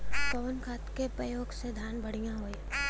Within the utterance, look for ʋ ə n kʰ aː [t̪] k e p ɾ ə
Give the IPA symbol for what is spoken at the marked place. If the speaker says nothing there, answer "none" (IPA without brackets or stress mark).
t̪